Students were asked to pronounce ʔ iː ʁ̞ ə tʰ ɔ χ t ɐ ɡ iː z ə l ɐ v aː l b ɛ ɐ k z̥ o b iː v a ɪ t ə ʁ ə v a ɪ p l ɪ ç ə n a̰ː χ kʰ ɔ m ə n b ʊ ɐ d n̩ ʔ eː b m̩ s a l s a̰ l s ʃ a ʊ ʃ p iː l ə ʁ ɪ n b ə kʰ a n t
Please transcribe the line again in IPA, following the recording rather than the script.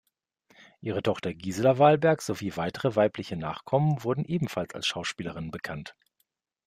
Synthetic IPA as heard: ʔ iː ʁ̞ ə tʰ ɔ χ t ɐ ɡ iː z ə l ɐ v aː l b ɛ ɐ k z̥ o v iː v a ɪ t ə ʁ ə v a ɪ p l ɪ ç ə n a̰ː χ kʰ ɔ m ə n v ʊ ɐ d n̩ ʔ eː b m̩ f a l s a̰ l s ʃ a ʊ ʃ p iː l ə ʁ ɪ n b ə kʰ a n t